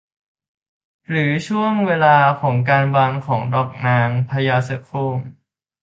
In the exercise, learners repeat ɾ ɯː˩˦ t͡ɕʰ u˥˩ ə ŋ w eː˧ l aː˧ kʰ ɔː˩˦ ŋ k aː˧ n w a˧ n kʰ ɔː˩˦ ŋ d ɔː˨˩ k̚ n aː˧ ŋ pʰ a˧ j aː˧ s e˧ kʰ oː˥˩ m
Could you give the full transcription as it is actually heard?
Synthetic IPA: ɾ ɯː˩˦ t͡ɕʰ u˥˩ ə ŋ w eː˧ l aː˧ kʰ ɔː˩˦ ŋ k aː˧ n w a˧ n kʰ ɔː˩˦ ŋ d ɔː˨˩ k̚ n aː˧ ŋ pʰ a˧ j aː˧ s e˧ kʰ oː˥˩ m